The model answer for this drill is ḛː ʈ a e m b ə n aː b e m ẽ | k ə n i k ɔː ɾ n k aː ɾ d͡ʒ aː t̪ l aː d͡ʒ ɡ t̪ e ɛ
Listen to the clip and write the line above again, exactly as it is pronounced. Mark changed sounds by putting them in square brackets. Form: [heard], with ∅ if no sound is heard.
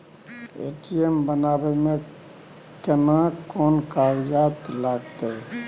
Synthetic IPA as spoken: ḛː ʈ [i] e m b ə n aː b e m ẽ | k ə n [a] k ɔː [∅] n k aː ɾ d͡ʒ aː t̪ l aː [∅] ɡ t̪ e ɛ